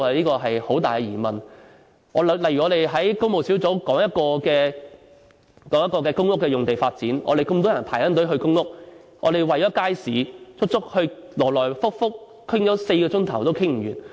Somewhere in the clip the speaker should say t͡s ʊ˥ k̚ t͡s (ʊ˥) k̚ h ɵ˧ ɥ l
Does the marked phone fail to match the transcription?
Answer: no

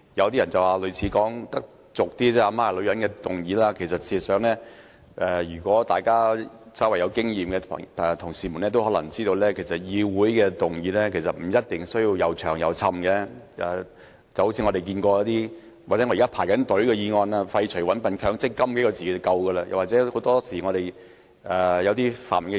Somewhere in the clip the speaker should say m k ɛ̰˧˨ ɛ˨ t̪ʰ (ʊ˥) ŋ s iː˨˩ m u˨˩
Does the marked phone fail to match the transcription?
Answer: yes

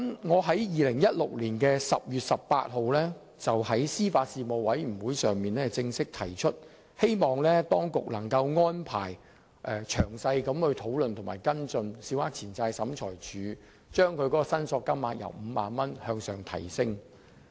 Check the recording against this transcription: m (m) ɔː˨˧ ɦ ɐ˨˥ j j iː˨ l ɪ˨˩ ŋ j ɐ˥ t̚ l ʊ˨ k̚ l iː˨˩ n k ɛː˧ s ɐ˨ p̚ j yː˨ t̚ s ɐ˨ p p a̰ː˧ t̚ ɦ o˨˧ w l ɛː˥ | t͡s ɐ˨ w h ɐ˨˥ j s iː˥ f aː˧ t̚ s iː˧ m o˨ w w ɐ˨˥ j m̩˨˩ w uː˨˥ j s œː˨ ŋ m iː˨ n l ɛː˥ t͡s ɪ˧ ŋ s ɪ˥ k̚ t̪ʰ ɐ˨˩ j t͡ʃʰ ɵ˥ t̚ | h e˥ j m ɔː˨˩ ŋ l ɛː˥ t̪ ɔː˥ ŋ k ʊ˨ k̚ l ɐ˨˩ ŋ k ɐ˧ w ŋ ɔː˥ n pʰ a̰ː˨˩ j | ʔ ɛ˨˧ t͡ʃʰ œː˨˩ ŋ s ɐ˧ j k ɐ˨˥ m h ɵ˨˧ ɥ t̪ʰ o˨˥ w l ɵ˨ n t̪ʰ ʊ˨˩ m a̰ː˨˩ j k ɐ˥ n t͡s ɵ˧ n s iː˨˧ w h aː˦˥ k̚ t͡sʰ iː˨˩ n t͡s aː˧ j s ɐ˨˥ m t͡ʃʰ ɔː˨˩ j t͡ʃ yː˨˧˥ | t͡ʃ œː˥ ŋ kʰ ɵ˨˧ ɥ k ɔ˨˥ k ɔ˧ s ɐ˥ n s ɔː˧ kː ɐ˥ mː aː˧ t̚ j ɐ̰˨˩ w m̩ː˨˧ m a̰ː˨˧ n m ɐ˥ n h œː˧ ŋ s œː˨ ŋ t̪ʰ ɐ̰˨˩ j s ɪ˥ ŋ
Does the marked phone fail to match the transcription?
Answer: yes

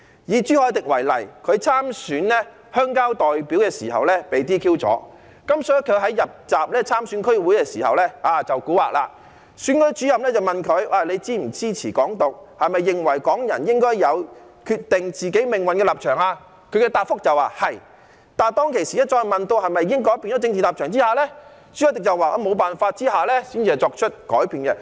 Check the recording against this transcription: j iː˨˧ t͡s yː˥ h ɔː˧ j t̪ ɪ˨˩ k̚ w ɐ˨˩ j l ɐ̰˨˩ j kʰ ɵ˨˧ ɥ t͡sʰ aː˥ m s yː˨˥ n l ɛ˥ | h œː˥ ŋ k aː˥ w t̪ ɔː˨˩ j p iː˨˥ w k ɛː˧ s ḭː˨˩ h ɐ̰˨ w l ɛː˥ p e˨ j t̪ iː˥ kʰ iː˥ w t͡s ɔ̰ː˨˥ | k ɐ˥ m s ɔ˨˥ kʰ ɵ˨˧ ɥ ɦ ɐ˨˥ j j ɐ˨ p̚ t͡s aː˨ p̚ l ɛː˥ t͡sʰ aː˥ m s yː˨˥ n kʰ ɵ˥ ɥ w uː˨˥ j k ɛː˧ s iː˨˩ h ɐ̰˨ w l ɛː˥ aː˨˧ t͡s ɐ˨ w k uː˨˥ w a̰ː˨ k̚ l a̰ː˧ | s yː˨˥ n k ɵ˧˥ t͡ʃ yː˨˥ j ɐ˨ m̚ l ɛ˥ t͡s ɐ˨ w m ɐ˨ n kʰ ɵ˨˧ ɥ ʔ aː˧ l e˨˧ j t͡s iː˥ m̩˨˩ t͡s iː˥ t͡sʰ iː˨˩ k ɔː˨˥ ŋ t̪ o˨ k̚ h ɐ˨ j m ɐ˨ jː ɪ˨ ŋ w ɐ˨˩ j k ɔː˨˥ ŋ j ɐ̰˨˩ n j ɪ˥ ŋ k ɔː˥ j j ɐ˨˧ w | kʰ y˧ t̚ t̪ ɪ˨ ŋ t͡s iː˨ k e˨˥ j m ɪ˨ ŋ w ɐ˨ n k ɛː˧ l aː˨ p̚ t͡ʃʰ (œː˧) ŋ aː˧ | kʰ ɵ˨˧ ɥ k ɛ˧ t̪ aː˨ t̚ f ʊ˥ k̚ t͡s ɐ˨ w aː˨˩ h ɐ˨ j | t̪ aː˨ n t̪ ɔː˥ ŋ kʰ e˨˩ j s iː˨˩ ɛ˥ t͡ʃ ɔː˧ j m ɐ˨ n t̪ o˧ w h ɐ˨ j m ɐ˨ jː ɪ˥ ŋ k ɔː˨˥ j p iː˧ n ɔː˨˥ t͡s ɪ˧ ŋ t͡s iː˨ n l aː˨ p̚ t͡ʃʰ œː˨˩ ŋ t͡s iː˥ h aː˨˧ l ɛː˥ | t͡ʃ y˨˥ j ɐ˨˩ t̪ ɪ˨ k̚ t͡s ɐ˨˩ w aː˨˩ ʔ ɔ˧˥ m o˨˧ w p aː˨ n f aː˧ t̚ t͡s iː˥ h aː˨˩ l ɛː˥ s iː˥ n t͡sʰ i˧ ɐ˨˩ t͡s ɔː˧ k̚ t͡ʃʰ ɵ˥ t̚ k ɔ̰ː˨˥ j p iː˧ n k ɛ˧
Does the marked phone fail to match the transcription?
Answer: yes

